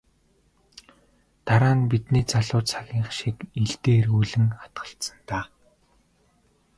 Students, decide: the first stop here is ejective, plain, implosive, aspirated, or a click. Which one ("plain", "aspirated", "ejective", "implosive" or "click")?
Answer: plain